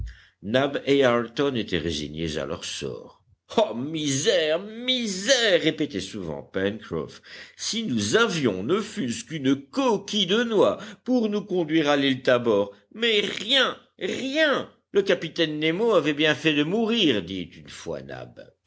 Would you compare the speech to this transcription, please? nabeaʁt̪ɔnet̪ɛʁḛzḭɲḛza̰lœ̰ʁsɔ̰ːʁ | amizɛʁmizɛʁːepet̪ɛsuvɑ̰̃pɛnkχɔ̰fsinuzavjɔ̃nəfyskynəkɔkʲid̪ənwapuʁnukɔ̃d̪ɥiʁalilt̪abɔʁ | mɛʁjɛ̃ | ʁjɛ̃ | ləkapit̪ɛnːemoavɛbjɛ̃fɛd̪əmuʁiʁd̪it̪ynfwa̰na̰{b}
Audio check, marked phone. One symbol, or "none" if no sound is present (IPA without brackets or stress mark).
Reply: b